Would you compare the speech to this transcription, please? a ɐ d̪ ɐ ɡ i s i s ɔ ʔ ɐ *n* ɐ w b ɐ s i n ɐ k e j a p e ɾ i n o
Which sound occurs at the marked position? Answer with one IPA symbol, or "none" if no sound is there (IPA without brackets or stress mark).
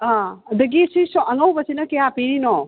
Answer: ŋ